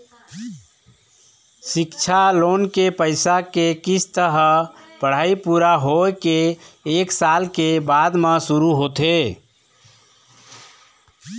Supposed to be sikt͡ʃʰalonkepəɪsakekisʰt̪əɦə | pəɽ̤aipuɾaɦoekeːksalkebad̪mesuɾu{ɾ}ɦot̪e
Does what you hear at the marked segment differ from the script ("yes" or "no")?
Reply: yes